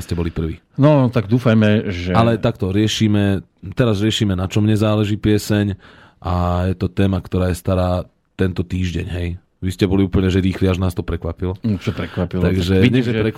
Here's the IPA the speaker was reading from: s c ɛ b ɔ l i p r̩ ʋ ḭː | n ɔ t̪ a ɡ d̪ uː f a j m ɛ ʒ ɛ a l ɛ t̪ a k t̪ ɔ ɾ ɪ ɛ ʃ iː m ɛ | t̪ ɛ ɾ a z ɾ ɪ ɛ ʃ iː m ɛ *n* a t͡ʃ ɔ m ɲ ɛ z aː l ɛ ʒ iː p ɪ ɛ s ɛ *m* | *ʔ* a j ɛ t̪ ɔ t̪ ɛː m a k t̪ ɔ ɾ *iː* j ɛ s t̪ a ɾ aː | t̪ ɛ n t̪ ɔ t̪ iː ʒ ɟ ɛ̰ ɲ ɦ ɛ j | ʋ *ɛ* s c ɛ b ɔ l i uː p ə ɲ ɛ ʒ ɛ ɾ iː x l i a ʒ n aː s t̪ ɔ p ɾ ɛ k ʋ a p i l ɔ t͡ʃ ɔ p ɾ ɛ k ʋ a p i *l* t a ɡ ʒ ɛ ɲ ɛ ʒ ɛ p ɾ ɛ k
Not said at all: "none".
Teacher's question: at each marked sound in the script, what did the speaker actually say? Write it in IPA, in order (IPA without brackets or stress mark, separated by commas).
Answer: n, ɲ, ʔ, aː, i, l